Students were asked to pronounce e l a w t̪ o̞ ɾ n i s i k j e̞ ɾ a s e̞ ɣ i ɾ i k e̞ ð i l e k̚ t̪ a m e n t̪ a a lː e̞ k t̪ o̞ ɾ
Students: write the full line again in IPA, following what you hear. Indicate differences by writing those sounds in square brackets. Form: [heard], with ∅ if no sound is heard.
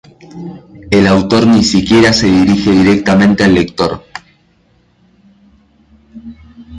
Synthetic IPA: e l a w t̪ o̞ ɾ n i s i k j e̞ ɾ a s e̞ [ð] i ɾ i [x] e̞ ð i [ɾ] e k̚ t̪ a m [ẽ] n t̪ [e] a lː e̞ k t̪ o̞ ɾ